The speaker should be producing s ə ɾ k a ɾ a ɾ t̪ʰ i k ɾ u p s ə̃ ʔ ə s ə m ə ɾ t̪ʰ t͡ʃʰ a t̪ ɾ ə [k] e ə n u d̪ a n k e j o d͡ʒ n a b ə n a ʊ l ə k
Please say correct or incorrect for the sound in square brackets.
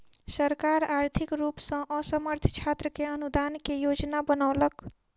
correct